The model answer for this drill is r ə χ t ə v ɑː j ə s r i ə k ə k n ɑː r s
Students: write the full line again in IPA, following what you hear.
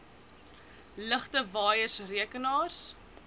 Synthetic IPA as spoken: l ə χ t ə v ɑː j ə s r i ə k ə n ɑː r s